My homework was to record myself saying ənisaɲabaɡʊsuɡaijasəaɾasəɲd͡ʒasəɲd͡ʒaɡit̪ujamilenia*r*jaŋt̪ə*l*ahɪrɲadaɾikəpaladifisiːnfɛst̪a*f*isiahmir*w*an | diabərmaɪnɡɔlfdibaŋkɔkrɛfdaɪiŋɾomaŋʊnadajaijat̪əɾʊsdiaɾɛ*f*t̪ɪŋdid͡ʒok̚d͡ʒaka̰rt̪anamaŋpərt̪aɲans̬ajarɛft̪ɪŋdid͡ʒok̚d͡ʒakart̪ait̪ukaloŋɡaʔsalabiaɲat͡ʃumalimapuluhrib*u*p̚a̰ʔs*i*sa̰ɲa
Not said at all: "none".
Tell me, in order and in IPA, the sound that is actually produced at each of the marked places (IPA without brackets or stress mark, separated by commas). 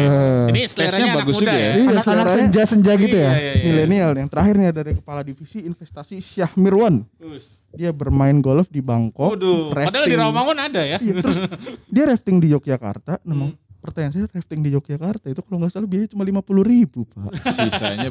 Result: l, ɾ, s, w, f, u, i